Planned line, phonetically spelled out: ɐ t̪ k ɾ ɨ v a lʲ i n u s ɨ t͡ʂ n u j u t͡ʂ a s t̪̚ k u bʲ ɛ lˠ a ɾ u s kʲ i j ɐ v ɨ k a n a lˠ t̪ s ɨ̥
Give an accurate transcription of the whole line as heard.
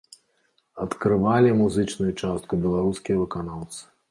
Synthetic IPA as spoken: ɐ t̪ k ɾ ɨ v a lʲ i m u z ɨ t͡ʂ n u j u t͡ʂ a s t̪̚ k u bʲ ɛ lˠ a ɾ u s kʲ i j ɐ v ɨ k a n a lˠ t̪ s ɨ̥